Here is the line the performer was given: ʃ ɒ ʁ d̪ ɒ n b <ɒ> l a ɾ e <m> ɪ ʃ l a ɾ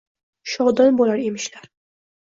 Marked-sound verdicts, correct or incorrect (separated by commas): incorrect, correct